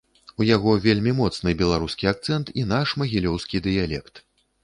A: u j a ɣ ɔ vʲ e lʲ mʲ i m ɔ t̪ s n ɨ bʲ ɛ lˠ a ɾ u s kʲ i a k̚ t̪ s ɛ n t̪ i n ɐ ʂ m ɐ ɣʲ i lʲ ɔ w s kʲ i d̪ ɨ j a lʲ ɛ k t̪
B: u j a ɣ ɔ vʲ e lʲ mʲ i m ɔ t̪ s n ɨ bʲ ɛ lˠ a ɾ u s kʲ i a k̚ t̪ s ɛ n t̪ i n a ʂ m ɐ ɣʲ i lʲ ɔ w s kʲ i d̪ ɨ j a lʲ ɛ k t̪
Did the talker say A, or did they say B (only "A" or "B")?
B